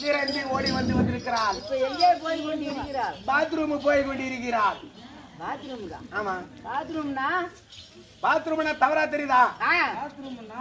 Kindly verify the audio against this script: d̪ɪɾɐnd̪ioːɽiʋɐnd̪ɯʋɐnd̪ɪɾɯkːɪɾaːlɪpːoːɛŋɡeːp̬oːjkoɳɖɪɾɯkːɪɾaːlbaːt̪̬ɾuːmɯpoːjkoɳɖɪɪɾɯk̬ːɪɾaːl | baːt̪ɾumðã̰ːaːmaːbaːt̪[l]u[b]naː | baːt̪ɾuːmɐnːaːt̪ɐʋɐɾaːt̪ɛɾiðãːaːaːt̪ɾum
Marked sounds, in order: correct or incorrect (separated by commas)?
incorrect, incorrect